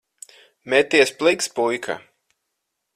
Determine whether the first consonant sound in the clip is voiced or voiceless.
voiced